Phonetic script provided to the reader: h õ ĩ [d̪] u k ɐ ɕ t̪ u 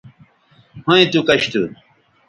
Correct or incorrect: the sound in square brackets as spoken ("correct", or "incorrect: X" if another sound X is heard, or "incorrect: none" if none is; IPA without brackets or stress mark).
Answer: incorrect: t̪